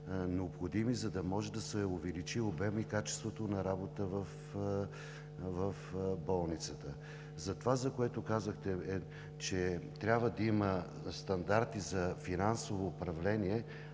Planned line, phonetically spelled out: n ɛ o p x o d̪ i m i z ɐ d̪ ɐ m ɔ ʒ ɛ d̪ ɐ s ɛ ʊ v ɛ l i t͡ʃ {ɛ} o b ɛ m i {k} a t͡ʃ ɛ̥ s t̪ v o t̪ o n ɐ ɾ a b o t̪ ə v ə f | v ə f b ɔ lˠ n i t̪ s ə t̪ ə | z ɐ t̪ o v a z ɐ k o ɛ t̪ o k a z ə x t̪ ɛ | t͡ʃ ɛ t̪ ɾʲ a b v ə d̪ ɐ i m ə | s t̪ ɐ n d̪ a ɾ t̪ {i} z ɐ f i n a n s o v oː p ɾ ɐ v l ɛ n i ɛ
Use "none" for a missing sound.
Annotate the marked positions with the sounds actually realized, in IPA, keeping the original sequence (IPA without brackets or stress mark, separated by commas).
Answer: i, k, i